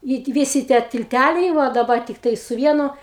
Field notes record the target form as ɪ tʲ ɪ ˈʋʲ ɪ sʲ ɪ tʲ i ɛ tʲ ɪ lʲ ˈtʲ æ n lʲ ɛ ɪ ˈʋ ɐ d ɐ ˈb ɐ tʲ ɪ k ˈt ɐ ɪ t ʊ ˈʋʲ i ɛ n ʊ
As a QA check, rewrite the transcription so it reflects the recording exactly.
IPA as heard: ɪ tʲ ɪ ˈʋʲ ɪ sʲ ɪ tʲ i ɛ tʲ ɪ lʲ ˈtʲ æ lʲ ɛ ɪ ˈʋ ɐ d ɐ ˈb ɐ tʲ ɪ k ˈt ɐ ɪ s ʊ ˈʋʲ i ɛ n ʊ